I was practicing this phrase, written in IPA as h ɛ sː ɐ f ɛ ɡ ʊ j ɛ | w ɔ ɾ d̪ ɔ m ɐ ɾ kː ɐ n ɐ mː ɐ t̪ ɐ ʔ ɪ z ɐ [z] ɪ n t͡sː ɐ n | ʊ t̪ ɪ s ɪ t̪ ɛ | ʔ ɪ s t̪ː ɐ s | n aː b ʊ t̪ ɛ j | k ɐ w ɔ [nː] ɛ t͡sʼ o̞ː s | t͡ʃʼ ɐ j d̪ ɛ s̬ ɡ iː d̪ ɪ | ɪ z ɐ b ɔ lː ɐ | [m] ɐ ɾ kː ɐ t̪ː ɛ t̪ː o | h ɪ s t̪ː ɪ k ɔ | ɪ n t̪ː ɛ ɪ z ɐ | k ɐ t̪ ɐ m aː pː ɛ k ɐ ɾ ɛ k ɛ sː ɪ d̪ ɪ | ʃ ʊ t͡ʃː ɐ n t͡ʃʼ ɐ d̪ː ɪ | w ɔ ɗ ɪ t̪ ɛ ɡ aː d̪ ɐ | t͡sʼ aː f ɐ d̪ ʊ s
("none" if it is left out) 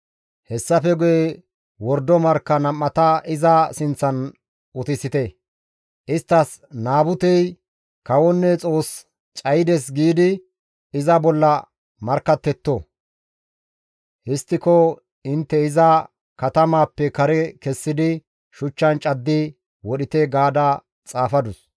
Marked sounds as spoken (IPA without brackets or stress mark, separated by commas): s, nː, m